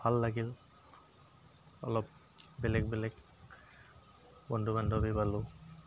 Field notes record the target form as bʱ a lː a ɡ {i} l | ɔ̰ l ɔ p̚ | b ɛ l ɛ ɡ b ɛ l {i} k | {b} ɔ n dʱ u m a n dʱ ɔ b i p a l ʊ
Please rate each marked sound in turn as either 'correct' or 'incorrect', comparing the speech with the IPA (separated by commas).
correct, incorrect, correct